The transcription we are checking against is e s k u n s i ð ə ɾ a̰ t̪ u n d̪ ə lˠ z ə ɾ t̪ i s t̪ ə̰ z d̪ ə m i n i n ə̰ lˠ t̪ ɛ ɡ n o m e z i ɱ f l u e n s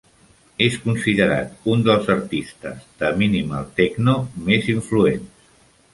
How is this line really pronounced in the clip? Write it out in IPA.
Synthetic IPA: e s k u n s i ð ə ɾ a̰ t̪ u n d̪ ə lˠ z ə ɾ t̪ i s t̪ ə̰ z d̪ ə m i n i m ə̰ lˠ t̪ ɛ ɡ n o m e z i ɱ f l u e n s